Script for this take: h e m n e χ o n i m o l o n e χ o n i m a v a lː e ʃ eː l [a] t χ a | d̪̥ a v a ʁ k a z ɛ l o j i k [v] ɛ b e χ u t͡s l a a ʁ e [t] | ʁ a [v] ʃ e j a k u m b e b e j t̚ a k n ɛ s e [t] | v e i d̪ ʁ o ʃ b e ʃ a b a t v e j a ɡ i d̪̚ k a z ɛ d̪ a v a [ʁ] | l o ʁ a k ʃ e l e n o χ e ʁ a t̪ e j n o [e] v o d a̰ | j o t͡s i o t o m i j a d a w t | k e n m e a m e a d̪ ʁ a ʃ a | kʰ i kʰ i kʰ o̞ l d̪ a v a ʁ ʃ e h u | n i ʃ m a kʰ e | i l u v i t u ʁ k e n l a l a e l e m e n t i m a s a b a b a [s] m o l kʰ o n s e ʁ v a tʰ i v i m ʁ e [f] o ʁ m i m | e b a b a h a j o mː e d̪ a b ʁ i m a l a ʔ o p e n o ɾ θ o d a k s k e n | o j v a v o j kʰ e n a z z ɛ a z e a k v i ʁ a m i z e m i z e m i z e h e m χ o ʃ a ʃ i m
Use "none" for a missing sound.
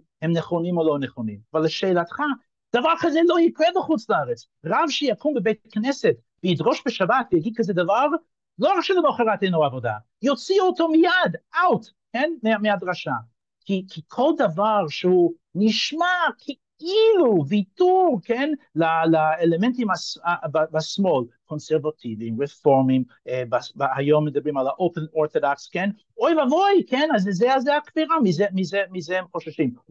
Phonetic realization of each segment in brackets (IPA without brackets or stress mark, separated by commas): a, ʁ, t͡s, v, t, ʁ, a, s, f